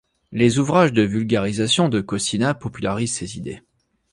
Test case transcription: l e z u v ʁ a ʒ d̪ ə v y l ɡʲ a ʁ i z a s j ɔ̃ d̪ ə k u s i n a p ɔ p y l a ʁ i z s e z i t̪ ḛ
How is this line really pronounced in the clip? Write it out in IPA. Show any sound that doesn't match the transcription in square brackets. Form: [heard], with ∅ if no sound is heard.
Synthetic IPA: l e z u v ʁ a ʒ d̪ ə v y l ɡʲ a ʁ i z a s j ɔ̃ d̪ ə k [ɔ] s i n a p ɔ p y l a ʁ i z s e z i [d̪] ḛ